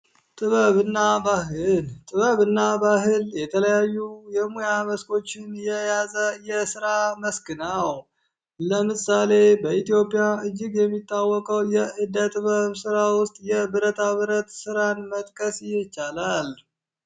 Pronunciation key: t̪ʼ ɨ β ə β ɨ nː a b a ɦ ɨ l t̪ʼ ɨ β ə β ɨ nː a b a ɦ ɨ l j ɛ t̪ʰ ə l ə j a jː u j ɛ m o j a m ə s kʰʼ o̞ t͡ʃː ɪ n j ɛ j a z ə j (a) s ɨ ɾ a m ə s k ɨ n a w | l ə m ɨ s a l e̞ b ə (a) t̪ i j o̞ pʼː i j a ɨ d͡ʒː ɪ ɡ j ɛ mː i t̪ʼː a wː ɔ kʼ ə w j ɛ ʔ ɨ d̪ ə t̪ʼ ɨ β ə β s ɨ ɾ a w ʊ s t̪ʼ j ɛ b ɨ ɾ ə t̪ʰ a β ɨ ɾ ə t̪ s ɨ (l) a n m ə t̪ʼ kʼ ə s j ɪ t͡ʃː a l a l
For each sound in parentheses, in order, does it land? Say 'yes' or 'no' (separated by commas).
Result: no, no, no